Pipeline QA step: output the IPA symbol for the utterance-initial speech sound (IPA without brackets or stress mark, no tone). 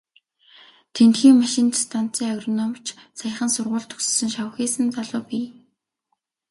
t̪ʰ